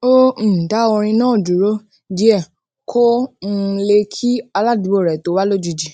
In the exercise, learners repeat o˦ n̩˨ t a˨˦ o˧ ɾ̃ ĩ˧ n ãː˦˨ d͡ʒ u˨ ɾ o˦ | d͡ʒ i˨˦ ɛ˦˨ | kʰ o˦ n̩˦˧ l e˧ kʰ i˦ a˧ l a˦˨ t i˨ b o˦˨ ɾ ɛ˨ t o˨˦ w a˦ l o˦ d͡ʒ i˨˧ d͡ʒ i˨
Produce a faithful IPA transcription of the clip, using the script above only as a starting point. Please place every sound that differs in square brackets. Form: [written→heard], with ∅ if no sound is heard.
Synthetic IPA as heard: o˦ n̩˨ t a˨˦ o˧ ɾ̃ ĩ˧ n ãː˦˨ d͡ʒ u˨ ɾ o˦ | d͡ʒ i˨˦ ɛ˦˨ | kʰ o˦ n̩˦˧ l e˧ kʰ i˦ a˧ l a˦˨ [t→d] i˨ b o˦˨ ɾ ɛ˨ t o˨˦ w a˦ l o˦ d͡ʒ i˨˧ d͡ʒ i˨